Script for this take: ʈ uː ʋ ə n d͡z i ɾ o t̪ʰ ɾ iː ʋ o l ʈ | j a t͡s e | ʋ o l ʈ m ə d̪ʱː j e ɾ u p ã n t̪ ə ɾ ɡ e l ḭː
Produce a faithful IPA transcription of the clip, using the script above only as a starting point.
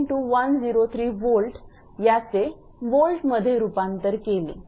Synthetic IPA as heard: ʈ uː ʋ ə n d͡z i ɾ o t̪ʰ ɾ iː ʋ o l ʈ | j a t͡s e | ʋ o l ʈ m ə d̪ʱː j e ɾ u p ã n t̪ ə ɾ k e l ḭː